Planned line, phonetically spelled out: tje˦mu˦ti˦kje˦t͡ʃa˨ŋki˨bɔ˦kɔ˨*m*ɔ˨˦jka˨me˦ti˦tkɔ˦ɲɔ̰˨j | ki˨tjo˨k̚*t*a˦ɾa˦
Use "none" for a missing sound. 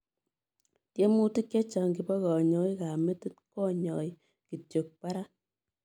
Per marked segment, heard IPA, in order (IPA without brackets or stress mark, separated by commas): ɲ, p